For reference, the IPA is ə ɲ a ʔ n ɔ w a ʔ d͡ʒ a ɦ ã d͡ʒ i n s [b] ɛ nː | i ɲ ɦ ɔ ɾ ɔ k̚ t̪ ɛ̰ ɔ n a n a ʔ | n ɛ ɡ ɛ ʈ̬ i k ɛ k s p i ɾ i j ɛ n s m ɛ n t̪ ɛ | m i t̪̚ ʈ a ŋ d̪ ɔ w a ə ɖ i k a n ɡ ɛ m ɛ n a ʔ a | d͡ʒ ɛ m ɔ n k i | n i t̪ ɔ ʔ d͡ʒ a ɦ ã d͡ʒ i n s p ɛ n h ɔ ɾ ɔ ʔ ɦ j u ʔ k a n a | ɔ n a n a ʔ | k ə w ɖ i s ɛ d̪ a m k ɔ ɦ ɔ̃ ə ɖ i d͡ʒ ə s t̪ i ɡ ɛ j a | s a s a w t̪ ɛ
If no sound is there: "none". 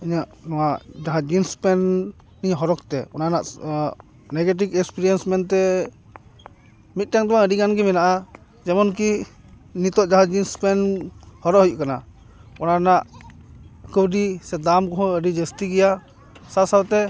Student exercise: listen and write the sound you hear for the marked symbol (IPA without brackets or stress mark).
p